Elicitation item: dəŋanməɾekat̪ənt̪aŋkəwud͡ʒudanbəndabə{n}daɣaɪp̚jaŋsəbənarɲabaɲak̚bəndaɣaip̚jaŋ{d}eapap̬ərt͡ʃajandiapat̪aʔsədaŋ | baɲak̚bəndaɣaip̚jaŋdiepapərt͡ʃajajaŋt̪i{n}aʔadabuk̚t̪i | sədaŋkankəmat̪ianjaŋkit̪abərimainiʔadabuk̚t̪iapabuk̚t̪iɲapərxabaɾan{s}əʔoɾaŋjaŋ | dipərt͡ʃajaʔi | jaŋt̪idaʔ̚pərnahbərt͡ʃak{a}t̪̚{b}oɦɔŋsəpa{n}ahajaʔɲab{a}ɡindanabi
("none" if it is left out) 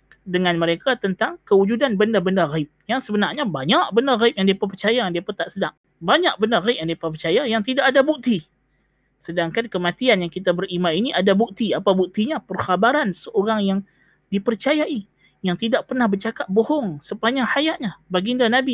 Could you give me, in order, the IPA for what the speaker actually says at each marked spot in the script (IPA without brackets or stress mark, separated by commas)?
n, d, d, s, a, b, ɲ, a